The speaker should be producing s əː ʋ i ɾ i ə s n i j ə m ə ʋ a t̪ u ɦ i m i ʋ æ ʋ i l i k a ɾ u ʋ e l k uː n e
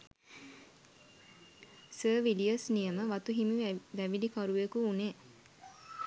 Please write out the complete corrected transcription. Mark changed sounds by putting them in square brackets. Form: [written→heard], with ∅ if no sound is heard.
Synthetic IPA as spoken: s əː ʋ i [ɾ→l] i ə s n i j ə m ə ʋ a t̪ u ɦ i m i ʋ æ ʋ i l i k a ɾ u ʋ e [l→∅] k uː n e